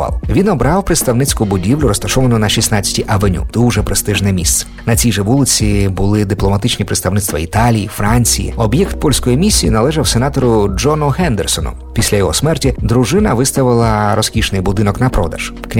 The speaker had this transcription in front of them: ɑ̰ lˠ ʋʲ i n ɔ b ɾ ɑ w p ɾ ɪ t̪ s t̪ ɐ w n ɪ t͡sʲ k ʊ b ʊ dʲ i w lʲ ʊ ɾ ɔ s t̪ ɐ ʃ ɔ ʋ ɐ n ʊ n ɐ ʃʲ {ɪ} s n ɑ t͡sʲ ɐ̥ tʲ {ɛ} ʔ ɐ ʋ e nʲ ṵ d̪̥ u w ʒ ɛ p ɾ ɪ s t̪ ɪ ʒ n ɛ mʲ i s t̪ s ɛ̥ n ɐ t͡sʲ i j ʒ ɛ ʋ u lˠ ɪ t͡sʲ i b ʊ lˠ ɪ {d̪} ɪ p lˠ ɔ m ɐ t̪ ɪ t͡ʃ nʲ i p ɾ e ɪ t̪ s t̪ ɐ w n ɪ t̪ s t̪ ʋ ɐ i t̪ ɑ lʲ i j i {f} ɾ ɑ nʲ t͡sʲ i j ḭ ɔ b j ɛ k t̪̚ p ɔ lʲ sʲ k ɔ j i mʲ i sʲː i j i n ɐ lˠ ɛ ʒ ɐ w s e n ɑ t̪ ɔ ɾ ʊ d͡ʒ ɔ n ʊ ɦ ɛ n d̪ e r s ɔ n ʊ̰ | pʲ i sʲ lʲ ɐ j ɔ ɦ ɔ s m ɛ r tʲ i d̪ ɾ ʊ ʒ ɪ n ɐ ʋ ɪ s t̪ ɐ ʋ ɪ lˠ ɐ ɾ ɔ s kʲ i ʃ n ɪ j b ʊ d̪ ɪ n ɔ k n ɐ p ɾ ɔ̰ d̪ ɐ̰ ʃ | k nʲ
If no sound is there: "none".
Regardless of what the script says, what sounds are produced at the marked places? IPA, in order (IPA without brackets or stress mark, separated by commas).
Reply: i, i, d̪, f